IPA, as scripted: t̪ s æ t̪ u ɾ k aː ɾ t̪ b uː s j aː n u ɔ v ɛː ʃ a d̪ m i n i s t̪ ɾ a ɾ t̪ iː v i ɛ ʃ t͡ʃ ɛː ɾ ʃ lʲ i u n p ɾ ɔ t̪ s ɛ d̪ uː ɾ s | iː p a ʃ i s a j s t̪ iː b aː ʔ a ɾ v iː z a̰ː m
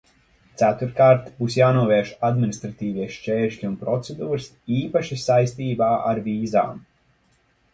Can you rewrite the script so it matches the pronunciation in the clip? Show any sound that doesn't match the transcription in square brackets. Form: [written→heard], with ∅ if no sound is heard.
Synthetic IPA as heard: t̪ s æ t̪ u ɾ k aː ɾ t̪ b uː s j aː n u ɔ v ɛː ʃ a d̪ m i n i s t̪ ɾ a [ɾ→∅] t̪ iː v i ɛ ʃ t͡ʃ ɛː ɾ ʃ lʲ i u n p ɾ ɔ t̪ s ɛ d̪ uː ɾ s | iː p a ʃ i s a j s t̪ iː b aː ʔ a ɾ v iː z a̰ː m